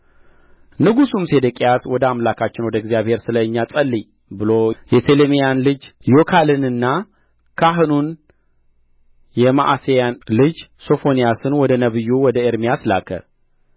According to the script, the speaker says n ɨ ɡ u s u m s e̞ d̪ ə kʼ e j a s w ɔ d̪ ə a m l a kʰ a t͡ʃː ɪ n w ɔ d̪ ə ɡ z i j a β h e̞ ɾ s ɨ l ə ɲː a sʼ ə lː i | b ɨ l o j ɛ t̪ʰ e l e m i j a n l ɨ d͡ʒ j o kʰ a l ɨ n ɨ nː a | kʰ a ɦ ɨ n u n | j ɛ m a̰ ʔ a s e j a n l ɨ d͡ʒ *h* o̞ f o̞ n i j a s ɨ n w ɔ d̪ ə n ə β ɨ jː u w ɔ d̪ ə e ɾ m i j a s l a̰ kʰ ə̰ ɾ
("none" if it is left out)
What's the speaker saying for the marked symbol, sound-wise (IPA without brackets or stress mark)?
s